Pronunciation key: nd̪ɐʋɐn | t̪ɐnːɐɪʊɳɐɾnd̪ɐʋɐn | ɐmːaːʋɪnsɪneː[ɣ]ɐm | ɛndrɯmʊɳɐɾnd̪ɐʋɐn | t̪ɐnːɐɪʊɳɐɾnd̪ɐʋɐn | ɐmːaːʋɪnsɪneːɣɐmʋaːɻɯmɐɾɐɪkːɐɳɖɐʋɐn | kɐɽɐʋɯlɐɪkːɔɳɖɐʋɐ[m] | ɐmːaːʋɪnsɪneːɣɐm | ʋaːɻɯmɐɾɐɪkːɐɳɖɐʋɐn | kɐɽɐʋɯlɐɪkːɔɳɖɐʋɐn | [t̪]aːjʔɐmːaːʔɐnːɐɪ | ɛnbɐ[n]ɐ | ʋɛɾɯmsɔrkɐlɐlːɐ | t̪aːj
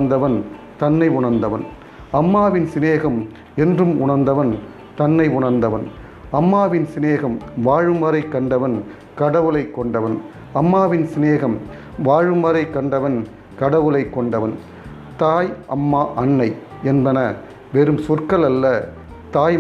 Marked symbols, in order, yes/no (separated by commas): yes, no, yes, yes